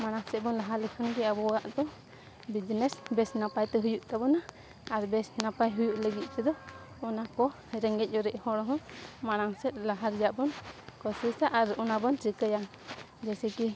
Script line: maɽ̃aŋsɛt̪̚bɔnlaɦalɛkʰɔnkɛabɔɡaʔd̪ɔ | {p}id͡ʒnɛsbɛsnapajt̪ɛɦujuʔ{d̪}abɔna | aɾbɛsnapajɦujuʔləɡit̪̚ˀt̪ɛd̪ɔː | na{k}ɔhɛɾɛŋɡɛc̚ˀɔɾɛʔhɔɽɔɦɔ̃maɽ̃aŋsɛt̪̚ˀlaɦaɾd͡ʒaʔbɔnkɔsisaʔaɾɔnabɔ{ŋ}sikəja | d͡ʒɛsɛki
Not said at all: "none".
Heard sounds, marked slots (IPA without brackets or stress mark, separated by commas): b, t̪, k, n